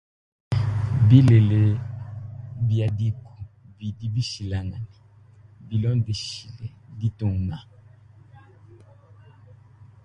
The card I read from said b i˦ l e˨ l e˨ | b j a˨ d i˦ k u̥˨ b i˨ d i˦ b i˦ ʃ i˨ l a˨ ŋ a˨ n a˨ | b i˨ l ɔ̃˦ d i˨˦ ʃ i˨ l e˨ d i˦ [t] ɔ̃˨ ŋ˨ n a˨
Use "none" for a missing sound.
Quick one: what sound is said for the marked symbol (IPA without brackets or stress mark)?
t